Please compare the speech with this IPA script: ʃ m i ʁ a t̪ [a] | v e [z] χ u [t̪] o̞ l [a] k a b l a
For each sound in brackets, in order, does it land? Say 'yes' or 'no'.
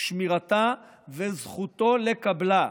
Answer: yes, yes, yes, no

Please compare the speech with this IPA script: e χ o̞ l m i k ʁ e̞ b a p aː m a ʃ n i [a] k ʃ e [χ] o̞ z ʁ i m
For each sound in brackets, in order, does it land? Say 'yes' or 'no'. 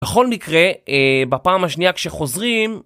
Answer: yes, yes

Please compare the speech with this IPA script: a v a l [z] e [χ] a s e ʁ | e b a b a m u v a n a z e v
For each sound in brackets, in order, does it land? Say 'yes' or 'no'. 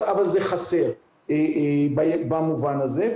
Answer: yes, yes

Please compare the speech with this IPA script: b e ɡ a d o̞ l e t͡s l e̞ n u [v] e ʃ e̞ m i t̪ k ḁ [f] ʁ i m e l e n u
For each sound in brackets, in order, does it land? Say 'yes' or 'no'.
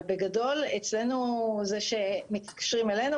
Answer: no, no

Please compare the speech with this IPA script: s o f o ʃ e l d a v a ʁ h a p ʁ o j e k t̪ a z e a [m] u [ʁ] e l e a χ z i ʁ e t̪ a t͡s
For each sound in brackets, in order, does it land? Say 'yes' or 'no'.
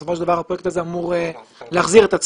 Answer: yes, yes

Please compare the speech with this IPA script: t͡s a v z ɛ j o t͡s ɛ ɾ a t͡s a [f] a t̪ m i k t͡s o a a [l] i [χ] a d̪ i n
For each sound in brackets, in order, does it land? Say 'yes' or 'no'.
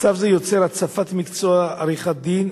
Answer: yes, no, yes

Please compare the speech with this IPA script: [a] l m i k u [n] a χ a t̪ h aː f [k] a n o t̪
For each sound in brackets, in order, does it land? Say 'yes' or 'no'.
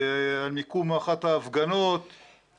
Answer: yes, no, no

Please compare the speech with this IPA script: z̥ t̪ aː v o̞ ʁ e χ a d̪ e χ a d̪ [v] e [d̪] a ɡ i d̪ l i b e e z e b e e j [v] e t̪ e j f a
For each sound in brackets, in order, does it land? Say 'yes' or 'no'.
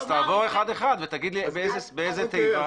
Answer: yes, no, no

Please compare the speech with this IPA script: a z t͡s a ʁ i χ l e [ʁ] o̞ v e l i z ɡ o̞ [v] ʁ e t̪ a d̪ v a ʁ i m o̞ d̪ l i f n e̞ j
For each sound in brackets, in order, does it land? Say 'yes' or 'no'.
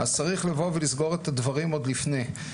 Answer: no, no

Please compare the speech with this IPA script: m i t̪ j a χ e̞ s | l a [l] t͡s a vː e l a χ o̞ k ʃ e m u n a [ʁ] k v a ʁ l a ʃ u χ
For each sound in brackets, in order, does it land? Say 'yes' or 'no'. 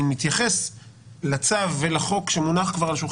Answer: no, no

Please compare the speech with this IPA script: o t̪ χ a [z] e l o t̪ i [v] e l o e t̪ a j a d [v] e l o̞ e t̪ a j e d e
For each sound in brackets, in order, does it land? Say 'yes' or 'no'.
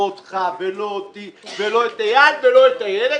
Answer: no, yes, yes

